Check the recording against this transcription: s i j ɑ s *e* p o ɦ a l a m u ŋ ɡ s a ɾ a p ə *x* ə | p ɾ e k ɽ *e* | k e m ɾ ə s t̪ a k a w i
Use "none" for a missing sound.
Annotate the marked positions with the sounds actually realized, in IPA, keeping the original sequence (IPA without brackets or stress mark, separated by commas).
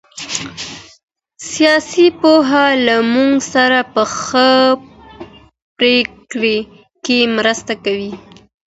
i, x, e